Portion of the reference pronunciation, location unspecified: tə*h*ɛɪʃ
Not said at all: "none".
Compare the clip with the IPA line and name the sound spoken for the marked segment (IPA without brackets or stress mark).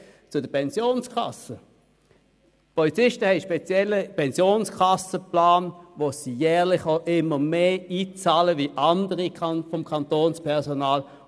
h